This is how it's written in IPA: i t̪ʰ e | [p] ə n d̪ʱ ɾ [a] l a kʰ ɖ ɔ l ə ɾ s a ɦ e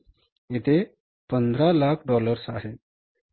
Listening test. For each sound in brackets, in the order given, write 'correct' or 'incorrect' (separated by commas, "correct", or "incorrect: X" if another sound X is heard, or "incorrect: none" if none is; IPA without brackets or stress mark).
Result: correct, correct